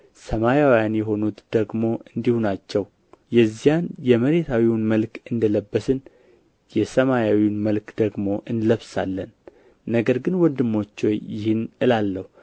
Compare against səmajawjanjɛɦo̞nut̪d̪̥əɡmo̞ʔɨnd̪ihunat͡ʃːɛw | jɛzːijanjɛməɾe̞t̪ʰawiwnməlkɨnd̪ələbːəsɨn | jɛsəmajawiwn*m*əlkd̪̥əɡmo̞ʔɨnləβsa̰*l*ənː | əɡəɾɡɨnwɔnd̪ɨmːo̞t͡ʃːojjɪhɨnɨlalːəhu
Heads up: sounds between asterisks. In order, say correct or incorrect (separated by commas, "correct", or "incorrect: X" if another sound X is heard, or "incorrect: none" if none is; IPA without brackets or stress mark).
correct, incorrect: lː